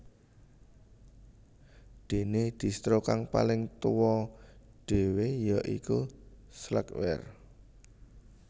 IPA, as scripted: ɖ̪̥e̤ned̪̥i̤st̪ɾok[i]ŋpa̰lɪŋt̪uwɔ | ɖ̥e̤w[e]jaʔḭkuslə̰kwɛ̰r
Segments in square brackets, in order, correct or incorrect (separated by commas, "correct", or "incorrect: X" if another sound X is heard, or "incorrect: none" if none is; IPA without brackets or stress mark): incorrect: a, correct